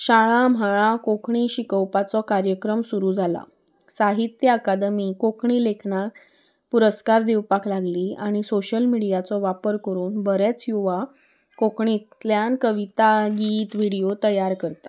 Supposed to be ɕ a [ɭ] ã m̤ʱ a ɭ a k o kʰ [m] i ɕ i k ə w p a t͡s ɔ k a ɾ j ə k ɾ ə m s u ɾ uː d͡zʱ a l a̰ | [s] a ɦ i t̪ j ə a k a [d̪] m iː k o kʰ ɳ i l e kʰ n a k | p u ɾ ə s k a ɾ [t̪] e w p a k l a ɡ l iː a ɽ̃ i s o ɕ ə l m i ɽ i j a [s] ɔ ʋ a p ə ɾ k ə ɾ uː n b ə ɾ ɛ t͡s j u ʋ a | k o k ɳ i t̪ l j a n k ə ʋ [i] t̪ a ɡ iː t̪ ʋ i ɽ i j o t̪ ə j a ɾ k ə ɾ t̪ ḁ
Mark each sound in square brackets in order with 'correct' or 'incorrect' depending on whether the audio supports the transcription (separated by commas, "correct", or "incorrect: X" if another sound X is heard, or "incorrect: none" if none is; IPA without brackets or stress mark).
correct, incorrect: ɳ, correct, correct, incorrect: d̪, incorrect: t͡s, correct